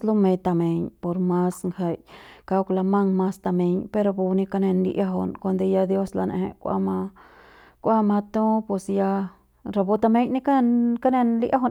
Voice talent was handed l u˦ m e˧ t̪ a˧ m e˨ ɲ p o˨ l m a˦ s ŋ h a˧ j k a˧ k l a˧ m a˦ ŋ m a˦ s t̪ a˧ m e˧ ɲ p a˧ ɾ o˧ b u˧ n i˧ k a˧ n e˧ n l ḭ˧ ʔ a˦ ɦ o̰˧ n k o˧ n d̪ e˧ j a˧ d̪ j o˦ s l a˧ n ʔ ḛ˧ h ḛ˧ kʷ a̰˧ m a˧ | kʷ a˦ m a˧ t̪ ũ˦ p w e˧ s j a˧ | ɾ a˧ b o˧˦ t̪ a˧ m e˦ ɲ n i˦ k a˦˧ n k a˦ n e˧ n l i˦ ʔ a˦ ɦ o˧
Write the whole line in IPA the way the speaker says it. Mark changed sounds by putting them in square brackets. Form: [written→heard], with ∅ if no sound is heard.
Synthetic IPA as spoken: l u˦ m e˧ t̪ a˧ m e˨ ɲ p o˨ [l→ɾ] m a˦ s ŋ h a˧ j k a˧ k l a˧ m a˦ ŋ m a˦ s t̪ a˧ m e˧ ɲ p [a˧→e˧] ɾ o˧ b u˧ n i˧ k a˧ n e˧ n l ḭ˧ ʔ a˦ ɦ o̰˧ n k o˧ n d̪ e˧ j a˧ d̪ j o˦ s l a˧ n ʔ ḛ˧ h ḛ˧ kʷ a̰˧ m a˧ | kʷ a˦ m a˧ t̪ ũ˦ p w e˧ s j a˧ | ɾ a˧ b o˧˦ t̪ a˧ m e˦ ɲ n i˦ k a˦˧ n k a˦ n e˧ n l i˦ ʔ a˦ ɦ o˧